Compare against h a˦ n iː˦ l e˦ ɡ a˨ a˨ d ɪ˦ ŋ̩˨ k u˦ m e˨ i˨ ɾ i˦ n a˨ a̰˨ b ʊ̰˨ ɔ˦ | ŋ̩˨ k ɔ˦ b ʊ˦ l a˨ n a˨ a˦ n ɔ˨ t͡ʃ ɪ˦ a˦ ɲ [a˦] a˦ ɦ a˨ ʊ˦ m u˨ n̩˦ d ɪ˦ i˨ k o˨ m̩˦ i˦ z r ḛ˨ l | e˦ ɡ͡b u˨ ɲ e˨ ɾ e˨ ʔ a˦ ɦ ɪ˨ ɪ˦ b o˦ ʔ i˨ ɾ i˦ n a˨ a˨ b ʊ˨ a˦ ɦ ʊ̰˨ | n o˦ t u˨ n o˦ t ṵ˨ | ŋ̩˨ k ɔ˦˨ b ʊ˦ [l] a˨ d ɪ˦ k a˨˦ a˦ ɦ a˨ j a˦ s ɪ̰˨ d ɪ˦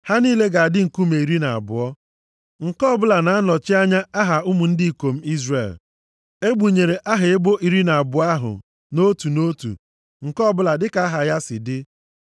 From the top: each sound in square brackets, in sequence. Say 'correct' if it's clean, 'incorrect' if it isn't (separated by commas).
correct, correct